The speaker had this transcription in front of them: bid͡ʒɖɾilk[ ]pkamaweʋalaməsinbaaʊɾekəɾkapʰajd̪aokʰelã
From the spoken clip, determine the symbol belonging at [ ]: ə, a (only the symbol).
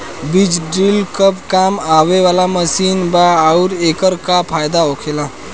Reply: ə